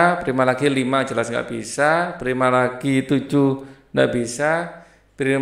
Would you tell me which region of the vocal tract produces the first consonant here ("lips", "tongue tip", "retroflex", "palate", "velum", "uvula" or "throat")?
lips